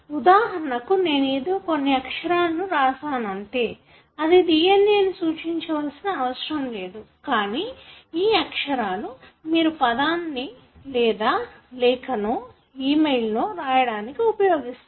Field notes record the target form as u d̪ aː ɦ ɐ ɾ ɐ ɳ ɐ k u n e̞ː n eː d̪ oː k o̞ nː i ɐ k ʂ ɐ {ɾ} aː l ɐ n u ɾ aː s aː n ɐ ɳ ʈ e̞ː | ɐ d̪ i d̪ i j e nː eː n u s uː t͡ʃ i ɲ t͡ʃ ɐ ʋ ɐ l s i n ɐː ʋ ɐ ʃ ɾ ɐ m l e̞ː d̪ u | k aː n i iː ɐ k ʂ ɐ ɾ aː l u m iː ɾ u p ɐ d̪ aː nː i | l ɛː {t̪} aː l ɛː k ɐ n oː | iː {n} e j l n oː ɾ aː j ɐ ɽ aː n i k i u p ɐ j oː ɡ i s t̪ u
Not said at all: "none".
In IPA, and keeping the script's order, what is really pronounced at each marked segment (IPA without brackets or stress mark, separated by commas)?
ɾ, d̪, m